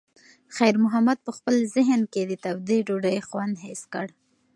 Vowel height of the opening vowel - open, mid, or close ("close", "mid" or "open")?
open